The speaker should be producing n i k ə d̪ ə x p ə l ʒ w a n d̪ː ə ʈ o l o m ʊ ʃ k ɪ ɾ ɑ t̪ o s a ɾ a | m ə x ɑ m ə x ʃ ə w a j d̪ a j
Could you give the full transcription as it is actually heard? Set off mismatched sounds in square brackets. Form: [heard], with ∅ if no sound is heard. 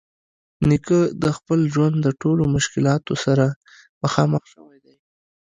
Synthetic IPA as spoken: n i k ə d̪ ə x p ə l ʒ w a n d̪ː ə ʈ o l o m ʊ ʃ k ɪ [l] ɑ t̪ o s a ɾ a | m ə x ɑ m ə x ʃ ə w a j d̪ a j